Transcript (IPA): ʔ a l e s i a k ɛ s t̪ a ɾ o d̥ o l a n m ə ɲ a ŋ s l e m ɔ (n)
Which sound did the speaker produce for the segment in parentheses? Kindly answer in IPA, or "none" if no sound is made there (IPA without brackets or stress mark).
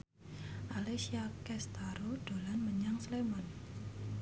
n